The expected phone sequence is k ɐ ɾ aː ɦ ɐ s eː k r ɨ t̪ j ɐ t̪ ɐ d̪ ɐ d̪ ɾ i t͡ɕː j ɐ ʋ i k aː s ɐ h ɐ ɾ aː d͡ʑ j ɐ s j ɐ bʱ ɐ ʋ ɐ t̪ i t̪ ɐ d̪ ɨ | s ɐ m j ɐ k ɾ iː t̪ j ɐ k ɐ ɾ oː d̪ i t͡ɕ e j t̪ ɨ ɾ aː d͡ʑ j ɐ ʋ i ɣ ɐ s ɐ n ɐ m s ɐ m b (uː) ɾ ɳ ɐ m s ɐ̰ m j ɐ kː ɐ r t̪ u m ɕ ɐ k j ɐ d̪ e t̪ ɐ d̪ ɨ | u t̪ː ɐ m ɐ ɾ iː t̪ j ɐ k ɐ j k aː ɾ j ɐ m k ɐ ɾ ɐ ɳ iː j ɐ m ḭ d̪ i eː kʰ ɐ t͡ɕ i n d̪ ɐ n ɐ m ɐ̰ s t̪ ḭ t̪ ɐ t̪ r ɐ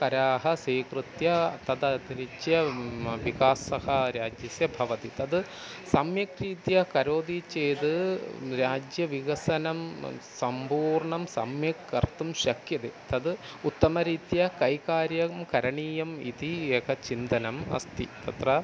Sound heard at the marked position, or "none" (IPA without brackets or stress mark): uː